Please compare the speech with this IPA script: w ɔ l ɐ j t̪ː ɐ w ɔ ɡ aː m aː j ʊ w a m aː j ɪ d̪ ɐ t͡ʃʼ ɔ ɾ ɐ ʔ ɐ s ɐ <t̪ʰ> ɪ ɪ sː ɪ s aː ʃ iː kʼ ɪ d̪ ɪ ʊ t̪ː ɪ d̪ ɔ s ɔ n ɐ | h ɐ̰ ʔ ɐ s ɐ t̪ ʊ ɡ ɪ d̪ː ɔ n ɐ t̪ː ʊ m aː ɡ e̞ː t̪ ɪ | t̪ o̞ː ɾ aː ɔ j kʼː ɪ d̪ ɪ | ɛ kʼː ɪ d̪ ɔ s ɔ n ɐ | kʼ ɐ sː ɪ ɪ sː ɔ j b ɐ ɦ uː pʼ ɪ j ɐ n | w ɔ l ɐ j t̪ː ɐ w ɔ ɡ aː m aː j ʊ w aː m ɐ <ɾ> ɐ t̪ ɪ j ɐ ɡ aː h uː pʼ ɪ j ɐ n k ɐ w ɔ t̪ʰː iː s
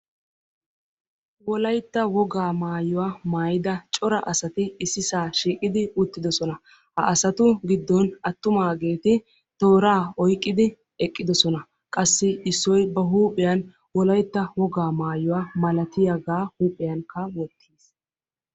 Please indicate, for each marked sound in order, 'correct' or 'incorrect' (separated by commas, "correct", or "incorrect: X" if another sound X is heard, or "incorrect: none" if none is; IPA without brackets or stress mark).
incorrect: t̪, incorrect: l